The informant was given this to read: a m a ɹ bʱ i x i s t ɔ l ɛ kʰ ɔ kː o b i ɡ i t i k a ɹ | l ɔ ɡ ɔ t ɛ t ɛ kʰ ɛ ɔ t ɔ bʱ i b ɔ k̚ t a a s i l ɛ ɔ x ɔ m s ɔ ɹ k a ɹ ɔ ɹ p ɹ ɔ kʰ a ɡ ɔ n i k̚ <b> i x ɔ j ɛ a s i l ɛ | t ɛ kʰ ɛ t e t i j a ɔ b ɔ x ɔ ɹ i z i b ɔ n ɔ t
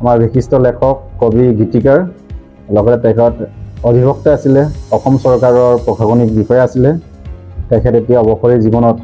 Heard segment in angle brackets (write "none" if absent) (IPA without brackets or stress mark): b